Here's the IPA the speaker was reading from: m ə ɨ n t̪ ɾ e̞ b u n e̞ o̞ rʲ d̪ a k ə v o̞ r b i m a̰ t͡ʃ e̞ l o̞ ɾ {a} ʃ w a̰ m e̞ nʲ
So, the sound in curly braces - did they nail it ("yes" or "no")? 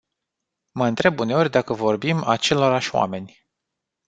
yes